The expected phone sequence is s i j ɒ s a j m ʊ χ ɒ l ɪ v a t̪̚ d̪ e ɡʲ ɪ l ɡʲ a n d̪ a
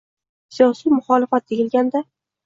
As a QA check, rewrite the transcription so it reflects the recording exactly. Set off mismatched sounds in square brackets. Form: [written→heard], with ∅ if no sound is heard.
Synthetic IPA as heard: s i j ɒ s [a→i] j m ʊ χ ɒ l ɪ [v→f] a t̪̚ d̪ e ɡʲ ɪ l ɡʲ a n d̪ a